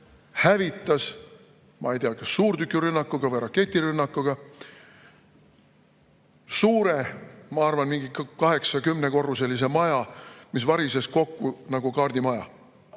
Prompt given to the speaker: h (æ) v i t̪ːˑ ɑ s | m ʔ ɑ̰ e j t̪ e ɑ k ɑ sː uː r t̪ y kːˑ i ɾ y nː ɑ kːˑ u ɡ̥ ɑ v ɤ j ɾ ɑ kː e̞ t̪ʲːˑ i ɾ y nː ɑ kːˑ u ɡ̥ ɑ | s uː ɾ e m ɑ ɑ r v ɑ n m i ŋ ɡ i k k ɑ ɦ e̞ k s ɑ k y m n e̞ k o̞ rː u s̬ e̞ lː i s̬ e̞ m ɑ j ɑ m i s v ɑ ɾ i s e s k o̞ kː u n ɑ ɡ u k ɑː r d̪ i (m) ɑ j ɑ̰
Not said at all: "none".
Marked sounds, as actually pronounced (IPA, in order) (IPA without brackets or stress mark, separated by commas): æ, m